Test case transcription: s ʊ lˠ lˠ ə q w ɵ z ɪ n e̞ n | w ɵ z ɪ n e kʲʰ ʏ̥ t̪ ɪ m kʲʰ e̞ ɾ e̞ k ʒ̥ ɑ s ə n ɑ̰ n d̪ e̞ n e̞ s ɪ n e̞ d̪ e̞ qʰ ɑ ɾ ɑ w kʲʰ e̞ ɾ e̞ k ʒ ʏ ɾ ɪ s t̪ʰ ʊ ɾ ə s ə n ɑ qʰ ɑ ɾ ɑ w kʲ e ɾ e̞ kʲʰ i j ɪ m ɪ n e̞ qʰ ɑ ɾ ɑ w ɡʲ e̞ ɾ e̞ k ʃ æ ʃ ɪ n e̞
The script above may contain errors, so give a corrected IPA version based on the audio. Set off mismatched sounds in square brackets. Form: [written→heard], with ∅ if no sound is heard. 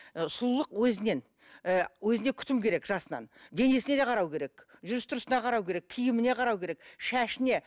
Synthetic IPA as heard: s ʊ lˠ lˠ ə q w ɵ z ɪ n e̞ n | w ɵ z ɪ n e kʲʰ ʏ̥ t̪ ɪ m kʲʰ e̞ ɾ e̞ k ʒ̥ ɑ s ə n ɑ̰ n d̪ e̞ n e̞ s ɪ n e̞ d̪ e̞ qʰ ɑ ɾ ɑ w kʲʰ e̞ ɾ e̞ k ʒ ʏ ɾ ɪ s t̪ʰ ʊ ɾ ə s ə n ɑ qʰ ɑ ɾ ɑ w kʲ e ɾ e̞ kʲʰ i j ɪ m ɪ n e̞ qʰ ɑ ɾ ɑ w [ɡʲ→kʲ] e̞ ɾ e̞ k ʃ æ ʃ ɪ n e̞